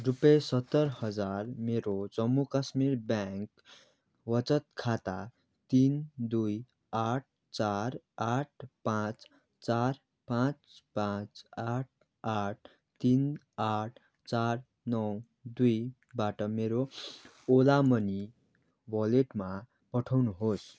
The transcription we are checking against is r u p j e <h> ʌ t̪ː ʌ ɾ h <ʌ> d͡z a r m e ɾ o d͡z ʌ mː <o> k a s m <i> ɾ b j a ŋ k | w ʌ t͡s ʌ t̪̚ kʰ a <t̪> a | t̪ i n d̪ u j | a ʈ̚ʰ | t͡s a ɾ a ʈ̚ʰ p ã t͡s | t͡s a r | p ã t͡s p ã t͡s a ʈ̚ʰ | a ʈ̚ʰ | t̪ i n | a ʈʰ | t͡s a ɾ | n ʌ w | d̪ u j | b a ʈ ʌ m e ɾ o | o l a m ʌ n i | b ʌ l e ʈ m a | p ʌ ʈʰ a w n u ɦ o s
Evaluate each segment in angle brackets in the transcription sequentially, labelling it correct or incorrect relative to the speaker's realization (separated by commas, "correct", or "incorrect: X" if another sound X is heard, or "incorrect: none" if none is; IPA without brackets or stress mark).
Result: incorrect: s, correct, incorrect: u, correct, correct